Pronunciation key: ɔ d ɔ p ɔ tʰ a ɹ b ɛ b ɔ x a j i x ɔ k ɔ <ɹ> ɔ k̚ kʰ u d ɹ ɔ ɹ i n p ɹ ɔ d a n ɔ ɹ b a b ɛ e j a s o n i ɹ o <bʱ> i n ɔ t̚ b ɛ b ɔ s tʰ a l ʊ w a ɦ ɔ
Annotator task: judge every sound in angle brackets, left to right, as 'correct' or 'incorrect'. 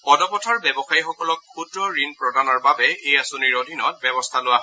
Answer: incorrect, incorrect

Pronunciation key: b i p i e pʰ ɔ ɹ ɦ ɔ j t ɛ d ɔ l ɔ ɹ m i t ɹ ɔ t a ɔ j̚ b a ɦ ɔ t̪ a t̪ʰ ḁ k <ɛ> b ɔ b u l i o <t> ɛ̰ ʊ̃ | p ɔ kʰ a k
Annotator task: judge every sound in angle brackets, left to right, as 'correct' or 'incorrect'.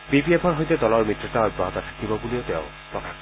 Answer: incorrect, correct

